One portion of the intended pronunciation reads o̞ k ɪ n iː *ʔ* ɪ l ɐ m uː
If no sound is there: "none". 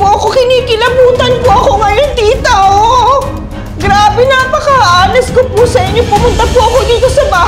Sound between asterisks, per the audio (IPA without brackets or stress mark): k